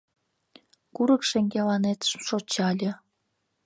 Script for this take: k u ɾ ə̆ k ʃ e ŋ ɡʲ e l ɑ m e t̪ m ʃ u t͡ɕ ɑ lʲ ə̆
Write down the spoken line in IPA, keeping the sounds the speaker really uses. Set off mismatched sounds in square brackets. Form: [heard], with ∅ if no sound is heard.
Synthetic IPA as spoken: k u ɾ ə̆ k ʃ e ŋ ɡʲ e l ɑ [n] e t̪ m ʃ [o] t͡ɕ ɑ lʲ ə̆